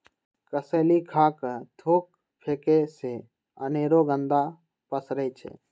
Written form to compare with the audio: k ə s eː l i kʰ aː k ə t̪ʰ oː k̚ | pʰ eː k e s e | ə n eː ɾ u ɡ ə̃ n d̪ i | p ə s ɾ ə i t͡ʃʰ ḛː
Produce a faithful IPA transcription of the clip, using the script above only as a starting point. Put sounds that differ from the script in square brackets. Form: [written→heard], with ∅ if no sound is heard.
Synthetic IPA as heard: k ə s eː l i kʰ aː k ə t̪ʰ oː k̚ | pʰ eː k e s e | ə n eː ɾ [u→o] ɡ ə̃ n d̪ [i→a] | p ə s ɾ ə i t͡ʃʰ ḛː